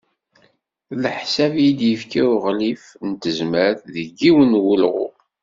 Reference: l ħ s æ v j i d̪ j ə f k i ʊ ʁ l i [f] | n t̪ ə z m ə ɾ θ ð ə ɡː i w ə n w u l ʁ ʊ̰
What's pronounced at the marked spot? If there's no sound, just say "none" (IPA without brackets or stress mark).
f